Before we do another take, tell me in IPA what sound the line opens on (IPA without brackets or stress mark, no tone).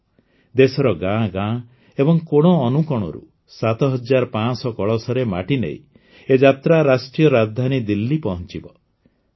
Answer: d̪